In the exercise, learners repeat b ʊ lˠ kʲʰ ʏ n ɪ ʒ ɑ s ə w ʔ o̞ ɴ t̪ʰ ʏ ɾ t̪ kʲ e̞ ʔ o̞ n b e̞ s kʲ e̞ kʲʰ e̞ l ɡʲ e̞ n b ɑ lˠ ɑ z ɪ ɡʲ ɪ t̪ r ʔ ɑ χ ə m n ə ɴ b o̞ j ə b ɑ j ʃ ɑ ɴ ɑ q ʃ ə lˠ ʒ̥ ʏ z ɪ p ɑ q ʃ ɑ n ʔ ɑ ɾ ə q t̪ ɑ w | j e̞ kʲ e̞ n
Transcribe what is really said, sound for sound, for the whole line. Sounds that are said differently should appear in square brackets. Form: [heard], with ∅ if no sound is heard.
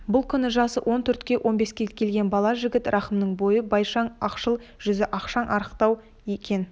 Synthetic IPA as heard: b ʊ lˠ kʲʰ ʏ n ɪ ʒ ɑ s ə w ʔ o̞ [n] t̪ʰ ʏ ɾ t̪ kʲ e̞ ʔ o̞ n b e̞ s kʲ e̞ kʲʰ e̞ l ɡʲ e̞ n b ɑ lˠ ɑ [ʒ] ɪ ɡʲ ɪ t̪ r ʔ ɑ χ ə m n ə ɴ b o̞ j ə b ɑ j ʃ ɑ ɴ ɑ q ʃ ə lˠ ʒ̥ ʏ z ɪ [ʔ] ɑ q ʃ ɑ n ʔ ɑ ɾ ə q t̪ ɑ w | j e̞ kʲ e̞ n